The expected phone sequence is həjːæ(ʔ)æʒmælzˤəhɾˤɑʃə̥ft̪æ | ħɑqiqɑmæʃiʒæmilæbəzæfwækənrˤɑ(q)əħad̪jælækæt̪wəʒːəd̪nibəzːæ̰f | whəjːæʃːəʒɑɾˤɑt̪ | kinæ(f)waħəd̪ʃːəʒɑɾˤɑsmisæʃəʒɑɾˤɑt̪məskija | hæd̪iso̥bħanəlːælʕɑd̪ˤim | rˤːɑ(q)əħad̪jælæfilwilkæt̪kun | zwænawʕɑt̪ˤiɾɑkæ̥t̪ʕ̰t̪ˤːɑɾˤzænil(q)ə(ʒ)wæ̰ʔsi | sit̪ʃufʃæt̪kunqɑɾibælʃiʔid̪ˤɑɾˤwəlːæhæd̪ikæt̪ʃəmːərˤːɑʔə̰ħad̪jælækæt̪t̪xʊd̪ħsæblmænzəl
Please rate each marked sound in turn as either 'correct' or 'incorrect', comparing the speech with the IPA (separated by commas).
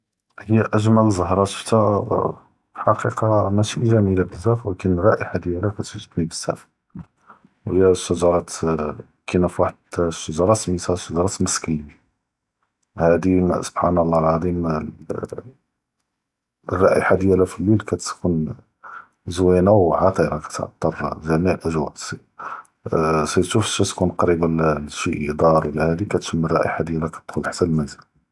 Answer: correct, incorrect, correct, incorrect, incorrect, correct